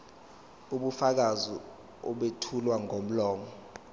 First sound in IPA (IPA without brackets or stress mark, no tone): u